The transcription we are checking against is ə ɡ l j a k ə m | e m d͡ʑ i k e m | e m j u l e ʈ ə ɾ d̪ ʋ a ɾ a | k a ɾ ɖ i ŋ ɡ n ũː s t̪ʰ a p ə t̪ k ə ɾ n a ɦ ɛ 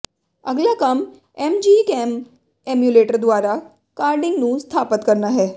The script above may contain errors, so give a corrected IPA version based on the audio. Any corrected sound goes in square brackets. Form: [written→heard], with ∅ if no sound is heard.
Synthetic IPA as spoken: ə ɡ l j a k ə m | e m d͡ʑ i k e m | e m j u l e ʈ ə ɾ d̪ ʋ a ɾ a | k a ɾ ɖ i ŋ ɡ n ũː s t̪ʰ a p ə t̪ k ə ɾ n a ɦ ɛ

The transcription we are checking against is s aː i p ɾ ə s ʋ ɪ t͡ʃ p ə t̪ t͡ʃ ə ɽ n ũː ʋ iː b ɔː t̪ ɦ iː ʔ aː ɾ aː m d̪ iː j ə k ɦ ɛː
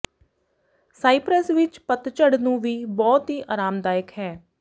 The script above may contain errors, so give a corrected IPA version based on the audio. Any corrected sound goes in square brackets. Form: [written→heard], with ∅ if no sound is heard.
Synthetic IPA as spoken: s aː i p ɾ ə s ʋ ɪ t͡ʃ p ə t̪ t͡ʃ ə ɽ n ũː ʋ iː b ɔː t̪ ɦ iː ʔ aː ɾ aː m d̪ [iː→aː] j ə k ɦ ɛː

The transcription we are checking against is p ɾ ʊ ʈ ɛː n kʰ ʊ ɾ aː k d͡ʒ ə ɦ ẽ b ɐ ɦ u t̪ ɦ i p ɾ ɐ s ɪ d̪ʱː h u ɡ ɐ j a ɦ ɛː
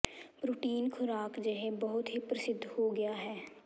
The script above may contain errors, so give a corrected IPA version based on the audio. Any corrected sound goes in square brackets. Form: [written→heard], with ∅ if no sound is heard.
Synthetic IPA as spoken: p ɾ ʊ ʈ [ɛː→iː] n kʰ ʊ ɾ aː k d͡ʒ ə ɦ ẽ b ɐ ɦ [u→ʊ] t̪ ɦ i p ɾ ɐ s ɪ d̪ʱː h [u→o] ɡ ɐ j a ɦ ɛː

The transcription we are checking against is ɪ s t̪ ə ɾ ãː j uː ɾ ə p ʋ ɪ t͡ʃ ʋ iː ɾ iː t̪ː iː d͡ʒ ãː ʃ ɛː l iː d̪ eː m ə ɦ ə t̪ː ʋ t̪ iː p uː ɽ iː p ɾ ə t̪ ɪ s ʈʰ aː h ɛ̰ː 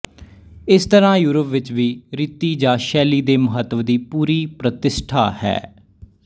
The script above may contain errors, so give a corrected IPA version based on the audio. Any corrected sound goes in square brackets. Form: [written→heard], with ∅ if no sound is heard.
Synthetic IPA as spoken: ɪ s t̪ ə ɾ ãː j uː ɾ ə p ʋ ɪ t͡ʃ ʋ iː ɾ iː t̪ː iː d͡ʒ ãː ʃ ɛː l iː d̪ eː m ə ɦ ə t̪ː ʋ [t̪→d̪] iː p uː [ɽ→ɾ] iː p ɾ ə t̪ ɪ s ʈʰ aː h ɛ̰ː

